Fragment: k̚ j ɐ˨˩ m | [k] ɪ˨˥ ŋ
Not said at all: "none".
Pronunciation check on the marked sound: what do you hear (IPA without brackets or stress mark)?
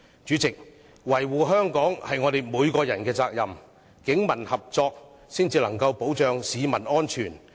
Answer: k